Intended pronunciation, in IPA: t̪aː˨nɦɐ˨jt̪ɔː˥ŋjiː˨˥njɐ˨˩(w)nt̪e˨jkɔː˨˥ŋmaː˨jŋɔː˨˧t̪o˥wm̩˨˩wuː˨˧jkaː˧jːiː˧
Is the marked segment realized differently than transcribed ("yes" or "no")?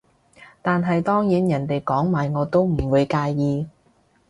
yes